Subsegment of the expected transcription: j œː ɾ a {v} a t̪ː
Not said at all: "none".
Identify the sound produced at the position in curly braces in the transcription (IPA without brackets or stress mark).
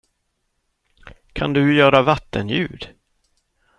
v